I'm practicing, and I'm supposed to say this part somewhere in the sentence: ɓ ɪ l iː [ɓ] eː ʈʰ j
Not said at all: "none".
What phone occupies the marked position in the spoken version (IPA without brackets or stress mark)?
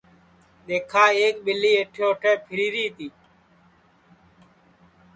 none